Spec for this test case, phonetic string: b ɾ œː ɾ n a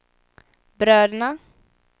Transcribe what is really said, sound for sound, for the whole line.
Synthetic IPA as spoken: b ɾ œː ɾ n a